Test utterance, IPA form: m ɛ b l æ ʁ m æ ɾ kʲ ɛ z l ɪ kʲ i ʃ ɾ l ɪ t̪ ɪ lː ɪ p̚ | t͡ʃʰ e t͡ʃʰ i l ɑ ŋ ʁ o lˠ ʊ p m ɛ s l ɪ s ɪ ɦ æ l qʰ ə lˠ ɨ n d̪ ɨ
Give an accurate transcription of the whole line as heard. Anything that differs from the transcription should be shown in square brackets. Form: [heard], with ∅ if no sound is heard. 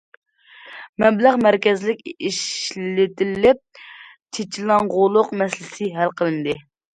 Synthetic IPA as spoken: m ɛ b l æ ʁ m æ ɾ kʲ ɛ z l ɪ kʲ i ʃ [l] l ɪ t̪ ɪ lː ɪ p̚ | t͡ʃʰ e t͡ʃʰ i l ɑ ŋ ʁ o lˠ ʊ [q] m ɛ s l ɪ s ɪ ɦ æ l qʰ ə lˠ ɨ n d̪ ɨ